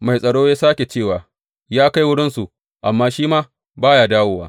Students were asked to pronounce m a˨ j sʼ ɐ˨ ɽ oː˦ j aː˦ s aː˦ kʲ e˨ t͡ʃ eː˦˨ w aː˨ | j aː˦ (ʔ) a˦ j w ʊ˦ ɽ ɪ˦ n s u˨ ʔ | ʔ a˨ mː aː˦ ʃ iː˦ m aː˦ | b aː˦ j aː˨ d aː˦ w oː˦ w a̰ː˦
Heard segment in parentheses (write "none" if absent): k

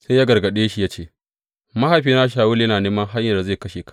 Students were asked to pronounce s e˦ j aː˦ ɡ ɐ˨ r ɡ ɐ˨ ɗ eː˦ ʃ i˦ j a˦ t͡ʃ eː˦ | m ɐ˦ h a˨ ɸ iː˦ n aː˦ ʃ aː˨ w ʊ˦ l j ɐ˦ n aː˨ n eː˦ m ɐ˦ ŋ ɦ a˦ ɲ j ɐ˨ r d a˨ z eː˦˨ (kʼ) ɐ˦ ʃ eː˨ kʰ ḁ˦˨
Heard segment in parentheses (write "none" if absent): k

